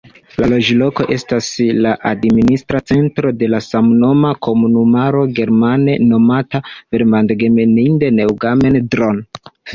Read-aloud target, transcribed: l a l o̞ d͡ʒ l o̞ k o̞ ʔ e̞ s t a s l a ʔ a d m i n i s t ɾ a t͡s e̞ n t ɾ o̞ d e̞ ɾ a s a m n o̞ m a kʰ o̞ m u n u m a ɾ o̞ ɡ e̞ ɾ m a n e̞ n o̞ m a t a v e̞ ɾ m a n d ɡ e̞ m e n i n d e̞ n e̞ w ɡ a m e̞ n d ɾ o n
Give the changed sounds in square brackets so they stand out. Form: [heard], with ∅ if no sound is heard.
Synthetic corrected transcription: l a l o̞ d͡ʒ l o̞ k o̞ ʔ e̞ s t a s l a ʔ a d m i n i s t ɾ a t͡s e̞ n t ɾ o̞ d e̞ [l] a s a m n o̞ m a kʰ o̞ m u n u m a ɾ o̞ ɡ e̞ ɾ m a n e̞ n o̞ m a t a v e̞ ɾ m a n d ɡ e̞ m e n i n d e̞ n e̞ w ɡ a m e̞ n d ɾ o n

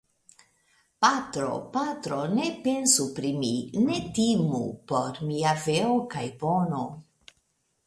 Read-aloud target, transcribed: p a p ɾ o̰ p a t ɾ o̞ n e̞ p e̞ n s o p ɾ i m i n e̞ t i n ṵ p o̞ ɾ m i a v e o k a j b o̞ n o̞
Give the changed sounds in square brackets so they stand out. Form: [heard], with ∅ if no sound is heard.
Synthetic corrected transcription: p a [t] ɾ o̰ p a t ɾ o̞ n e̞ p e̞ n s [u] p ɾ i m i n e̞ t i [m] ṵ p o̞ ɾ m i a v e o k a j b o̞ n o̞

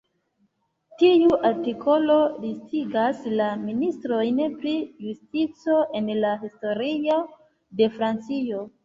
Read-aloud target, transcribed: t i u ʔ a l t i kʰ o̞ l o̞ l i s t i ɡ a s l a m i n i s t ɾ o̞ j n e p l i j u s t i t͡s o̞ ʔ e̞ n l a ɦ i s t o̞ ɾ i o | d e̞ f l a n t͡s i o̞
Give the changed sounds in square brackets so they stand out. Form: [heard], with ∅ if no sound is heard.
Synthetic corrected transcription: t i u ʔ a [ɾ] t i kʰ o̞ l o̞ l i s t i ɡ a s l a m i n i s t ɾ o̞ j n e p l i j u s t i t͡s o̞ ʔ e̞ n l a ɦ i s t o̞ ɾ i o | d e̞ f [ɾ] a n t͡s i o̞

